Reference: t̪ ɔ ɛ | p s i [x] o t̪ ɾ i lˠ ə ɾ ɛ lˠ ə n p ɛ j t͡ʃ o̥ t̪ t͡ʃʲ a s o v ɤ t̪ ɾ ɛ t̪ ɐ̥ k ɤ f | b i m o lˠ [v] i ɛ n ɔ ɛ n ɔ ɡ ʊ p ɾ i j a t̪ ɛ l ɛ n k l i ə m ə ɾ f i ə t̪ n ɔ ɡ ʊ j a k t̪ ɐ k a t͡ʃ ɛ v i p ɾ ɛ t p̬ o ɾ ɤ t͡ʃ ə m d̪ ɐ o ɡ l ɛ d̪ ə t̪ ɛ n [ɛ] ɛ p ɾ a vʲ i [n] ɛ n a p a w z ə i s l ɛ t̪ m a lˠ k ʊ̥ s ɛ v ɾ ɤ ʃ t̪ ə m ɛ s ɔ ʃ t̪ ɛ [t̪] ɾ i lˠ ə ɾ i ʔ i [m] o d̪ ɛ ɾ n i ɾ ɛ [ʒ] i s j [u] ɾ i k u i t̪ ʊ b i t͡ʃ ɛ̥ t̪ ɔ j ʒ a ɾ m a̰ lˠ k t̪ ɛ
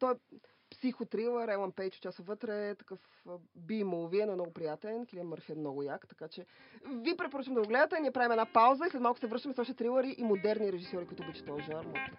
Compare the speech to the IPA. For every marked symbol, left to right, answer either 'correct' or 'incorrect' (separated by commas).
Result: correct, correct, incorrect, incorrect, correct, correct, correct, incorrect